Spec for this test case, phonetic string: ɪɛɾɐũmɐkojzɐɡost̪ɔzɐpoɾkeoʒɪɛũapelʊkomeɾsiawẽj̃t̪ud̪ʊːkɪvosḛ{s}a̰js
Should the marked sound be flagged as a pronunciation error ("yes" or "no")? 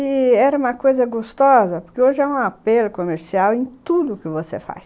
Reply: yes